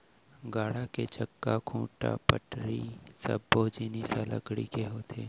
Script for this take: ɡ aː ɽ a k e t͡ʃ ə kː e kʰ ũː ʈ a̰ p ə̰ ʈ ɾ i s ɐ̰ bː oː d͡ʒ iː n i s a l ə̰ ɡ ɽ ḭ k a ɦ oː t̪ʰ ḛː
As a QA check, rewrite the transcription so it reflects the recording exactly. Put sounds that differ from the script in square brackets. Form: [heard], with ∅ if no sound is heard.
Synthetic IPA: ɡ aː ɽ a k e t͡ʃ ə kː [a] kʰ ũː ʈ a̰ p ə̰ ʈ ɾ i s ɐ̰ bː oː d͡ʒ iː n i s a l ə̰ ɡ ɽ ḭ k [e] ɦ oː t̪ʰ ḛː